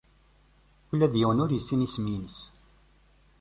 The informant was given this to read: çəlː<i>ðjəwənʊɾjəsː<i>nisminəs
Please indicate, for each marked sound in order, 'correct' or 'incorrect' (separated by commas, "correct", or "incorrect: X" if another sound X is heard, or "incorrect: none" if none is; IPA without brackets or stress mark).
incorrect: æ, correct